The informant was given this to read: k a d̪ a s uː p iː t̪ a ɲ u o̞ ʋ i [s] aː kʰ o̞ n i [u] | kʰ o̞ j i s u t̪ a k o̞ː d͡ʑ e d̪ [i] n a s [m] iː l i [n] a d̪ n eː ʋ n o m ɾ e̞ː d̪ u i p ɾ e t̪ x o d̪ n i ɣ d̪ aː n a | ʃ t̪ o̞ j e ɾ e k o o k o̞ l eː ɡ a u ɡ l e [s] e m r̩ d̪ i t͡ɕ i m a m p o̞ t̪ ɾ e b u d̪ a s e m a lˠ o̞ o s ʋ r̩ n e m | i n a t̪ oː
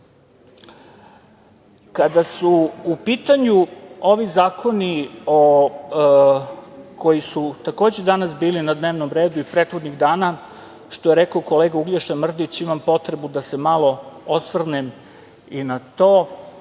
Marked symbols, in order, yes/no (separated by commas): no, no, no, no, yes, no